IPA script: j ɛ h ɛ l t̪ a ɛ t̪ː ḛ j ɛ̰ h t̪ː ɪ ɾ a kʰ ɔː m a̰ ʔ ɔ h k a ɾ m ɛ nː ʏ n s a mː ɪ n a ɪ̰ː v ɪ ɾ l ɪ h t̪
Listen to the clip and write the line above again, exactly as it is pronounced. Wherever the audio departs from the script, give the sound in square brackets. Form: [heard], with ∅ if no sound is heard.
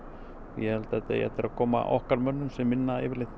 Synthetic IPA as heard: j ɛ h ɛ l t̪ a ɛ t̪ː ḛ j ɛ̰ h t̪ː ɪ ɾ a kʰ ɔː m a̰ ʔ ɔ h k a ɾ m [œ] nː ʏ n s [ɛ] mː ɪ [nː] a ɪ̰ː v ɪ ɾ l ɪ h t̪